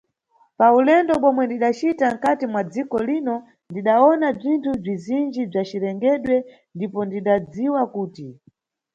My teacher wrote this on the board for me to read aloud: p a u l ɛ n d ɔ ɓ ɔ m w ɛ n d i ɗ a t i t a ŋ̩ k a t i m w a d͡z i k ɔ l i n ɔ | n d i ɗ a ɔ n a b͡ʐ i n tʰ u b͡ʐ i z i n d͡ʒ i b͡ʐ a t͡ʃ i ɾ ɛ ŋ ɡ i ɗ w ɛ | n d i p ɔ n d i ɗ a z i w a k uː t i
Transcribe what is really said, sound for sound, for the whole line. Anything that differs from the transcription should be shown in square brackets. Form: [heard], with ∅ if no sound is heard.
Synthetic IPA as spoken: p a u l ɛ n d ɔ ɓ ɔ m w ɛ n d i ɗ a [t͡ʃ] i t a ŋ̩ k a t i m w a d͡z i k ɔ l i n ɔ | n d i ɗ a ɔ n a b͡ʐ i n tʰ u b͡ʐ i z i n d͡ʒ i b͡ʐ a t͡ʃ i ɾ ɛ ŋ ɡ [ɛ] ɗ w ɛ | n d i p ɔ n d i ɗ a [d͡z] i w a k uː t i